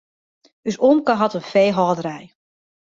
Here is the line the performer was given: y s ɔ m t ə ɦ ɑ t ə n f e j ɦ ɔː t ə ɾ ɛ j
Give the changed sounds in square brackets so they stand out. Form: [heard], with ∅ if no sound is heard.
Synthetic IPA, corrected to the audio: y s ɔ m [k] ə ɦ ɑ t ə n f e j ɦ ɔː [d] ə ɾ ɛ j